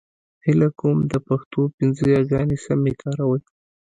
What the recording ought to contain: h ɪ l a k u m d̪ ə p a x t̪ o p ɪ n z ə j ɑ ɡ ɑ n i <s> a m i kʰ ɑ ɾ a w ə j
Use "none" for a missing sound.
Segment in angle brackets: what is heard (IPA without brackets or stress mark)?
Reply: s